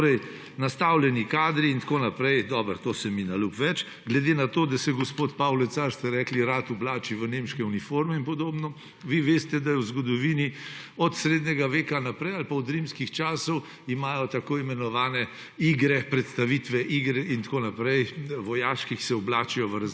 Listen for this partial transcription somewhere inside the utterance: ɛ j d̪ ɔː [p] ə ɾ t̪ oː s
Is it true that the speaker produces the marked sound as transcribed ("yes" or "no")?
no